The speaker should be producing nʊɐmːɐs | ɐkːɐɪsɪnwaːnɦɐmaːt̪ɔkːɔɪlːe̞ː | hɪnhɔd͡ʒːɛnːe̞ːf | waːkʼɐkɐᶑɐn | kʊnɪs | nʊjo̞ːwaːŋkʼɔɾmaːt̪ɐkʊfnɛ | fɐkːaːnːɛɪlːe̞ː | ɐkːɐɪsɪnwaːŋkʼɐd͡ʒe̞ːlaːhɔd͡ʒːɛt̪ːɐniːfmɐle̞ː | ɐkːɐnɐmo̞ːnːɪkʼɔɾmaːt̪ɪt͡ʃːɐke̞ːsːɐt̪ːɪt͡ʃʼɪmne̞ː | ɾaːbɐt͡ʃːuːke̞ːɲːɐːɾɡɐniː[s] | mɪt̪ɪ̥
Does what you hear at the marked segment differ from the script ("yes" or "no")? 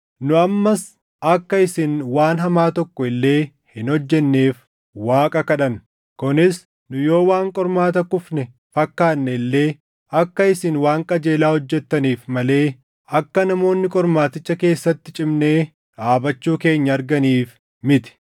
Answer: yes